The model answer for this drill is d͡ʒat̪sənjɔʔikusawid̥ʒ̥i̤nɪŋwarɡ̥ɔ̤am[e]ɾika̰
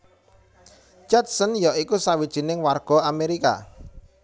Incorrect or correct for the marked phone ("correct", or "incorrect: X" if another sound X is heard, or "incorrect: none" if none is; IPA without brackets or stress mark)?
correct